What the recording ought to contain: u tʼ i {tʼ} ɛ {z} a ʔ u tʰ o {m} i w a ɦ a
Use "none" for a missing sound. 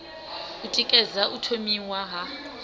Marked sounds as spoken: kʼ, z, m

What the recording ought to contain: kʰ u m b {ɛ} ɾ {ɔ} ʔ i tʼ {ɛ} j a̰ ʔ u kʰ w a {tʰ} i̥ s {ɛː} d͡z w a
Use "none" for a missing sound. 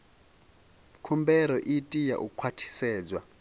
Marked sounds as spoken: ɛ, ɔ, i, tʰ, ɛː

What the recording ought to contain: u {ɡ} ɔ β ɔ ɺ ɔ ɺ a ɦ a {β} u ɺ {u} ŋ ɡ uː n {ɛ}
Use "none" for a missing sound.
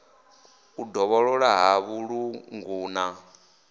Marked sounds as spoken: d, β, u, a

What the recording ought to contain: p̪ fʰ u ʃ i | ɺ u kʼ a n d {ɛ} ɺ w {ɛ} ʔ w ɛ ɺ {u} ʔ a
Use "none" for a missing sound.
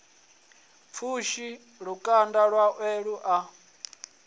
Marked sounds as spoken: a, a, u

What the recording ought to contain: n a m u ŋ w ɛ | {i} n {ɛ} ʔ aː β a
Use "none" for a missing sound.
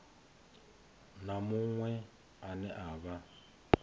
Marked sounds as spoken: a, ɛ

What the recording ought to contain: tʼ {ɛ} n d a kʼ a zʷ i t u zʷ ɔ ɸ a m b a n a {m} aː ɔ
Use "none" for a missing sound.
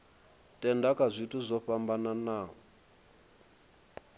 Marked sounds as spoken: ɛ, n

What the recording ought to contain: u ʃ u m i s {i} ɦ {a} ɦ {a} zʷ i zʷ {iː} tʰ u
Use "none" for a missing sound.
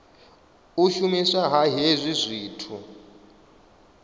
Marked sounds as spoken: a, a, e, iː

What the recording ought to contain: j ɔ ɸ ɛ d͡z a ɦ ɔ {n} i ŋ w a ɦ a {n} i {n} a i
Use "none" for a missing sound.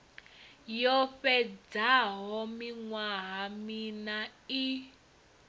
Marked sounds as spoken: m, m, n

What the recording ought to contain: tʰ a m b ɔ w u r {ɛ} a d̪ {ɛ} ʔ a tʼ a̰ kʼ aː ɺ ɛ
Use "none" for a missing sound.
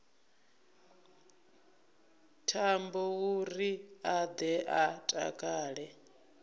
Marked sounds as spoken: i, ɛ

